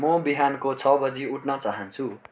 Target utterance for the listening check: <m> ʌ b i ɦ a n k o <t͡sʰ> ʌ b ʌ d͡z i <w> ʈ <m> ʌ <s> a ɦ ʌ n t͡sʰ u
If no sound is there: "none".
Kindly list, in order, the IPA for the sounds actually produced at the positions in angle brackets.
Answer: m, t͡sʰ, u, n, t͡s

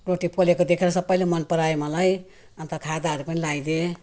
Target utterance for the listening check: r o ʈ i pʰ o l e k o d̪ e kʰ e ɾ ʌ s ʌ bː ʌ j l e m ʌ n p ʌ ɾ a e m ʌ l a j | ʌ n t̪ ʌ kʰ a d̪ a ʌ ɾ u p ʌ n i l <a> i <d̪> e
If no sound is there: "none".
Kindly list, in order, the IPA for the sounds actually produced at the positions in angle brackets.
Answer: a, d̪

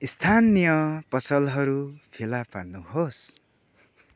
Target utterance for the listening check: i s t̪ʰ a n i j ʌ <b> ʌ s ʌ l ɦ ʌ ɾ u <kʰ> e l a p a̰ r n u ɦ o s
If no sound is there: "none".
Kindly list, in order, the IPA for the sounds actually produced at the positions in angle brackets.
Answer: p, pʰ

